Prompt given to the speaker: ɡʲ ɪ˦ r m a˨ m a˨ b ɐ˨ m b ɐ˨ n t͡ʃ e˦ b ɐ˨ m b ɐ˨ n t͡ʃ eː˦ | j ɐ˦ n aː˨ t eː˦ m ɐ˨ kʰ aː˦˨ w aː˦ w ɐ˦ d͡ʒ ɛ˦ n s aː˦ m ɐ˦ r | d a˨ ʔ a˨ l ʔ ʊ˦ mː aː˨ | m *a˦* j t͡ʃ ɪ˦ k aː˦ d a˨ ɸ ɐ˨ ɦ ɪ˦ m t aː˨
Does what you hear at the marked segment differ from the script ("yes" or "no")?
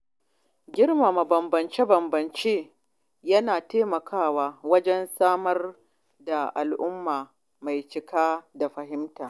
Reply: yes